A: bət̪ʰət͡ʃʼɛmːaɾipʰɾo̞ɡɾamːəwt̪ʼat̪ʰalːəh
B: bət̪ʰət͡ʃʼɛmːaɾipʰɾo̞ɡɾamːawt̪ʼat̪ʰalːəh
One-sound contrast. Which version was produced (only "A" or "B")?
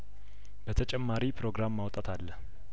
B